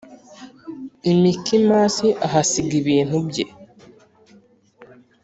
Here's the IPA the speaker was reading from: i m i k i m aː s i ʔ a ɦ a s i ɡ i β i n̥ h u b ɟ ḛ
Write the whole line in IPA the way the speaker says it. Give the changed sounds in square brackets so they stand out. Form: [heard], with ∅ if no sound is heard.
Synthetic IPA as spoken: i m i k i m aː s i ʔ a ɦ a s i ɡ i β [iː] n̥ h u b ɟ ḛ